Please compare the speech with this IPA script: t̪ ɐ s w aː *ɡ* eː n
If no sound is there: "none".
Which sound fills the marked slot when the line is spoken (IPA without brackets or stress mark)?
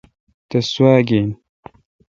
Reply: ɡ